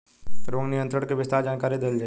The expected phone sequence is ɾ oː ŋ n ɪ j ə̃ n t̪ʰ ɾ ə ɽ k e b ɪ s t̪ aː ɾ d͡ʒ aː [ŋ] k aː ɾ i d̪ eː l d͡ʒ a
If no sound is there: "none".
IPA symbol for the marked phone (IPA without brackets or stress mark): n